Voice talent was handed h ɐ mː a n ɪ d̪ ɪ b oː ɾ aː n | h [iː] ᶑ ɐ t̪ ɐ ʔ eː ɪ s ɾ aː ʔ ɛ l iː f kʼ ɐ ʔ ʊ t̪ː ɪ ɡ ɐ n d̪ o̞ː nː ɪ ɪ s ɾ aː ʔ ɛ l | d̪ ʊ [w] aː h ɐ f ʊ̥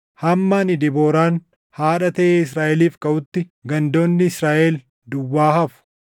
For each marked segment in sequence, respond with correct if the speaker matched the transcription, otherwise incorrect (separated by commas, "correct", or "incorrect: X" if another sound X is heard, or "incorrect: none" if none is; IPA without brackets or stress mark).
incorrect: aː, incorrect: wː